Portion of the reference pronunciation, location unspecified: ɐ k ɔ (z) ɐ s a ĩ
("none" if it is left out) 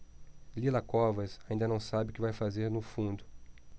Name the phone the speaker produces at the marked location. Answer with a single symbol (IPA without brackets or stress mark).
v